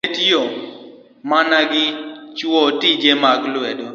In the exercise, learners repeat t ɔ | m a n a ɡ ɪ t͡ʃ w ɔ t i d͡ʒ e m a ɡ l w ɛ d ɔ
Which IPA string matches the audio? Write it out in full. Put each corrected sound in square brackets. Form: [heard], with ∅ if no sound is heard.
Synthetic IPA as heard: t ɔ | m a n a ɡ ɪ t͡ʃ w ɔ t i d͡ʒ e m a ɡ l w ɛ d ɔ